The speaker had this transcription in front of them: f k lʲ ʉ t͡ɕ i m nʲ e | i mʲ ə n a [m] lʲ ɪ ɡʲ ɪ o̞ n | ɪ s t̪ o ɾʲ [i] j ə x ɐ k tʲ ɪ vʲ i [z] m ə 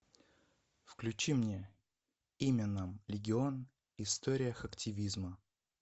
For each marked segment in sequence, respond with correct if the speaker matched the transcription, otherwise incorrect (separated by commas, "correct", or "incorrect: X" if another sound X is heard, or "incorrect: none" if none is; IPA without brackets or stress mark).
correct, incorrect: ɪ, correct